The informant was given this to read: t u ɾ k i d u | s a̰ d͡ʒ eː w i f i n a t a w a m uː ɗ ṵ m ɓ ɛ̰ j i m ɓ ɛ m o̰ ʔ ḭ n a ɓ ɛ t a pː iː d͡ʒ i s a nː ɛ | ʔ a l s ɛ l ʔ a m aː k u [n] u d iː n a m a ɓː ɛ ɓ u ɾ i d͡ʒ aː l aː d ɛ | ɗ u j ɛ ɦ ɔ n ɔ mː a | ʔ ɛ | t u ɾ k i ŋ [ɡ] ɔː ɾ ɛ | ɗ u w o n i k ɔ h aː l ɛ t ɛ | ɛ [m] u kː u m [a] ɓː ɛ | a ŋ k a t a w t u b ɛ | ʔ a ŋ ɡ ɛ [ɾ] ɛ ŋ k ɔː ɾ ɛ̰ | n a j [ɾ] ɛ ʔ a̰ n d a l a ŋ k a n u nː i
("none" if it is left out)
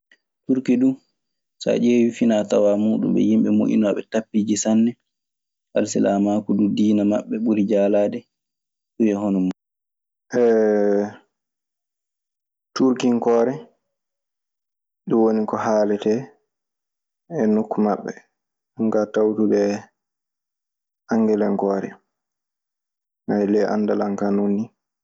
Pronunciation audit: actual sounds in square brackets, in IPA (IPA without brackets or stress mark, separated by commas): d, k, n, a, l, l